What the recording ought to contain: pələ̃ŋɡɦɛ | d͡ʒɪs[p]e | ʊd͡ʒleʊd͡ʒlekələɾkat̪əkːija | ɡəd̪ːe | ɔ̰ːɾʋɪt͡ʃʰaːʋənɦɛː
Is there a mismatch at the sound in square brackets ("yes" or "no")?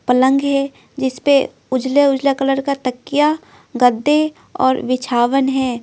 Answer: no